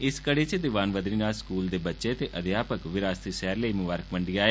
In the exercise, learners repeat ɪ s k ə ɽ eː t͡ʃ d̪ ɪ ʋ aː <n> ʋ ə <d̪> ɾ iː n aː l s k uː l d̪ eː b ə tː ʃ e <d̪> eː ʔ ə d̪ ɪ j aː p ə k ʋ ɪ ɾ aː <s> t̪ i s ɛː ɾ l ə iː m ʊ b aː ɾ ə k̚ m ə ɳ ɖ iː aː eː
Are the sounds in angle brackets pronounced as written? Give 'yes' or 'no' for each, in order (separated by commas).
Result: yes, yes, no, yes